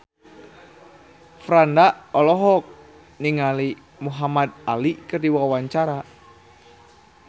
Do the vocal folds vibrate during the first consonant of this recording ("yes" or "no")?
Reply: no